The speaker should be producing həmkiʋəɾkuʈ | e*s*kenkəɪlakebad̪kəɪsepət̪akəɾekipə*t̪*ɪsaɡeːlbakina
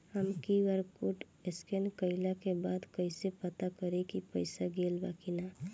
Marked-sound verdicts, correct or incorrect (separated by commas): correct, incorrect